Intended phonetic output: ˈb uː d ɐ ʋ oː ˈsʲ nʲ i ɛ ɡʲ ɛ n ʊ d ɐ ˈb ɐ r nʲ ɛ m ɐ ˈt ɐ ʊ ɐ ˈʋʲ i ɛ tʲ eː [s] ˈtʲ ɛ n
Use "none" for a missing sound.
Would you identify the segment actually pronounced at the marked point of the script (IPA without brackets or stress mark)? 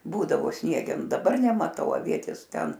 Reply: s